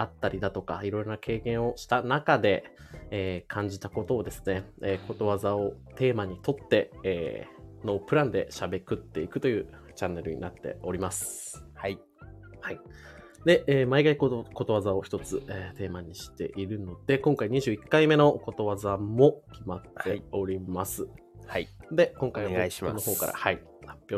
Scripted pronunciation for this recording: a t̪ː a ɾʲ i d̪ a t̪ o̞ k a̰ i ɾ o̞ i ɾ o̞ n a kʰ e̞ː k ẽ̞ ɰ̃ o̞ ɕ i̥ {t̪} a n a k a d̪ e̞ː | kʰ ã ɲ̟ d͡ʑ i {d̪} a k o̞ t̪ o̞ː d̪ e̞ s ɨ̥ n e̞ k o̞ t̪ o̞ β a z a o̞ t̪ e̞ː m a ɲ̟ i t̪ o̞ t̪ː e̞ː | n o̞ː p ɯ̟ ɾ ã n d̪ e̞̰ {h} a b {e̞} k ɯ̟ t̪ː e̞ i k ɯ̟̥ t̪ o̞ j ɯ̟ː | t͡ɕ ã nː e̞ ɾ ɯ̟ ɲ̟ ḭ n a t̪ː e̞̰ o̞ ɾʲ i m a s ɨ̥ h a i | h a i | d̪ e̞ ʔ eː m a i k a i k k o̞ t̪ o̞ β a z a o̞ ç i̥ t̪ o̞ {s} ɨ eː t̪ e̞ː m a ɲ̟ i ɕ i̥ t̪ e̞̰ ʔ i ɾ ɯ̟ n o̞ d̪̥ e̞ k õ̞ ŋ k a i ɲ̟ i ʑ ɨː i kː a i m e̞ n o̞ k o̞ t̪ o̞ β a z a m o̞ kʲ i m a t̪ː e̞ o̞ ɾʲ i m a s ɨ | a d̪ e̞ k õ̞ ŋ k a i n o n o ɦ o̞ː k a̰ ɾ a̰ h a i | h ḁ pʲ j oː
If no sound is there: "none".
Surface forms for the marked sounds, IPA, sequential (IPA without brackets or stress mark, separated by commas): t̪, t̪, ɕ, e̞, t͡s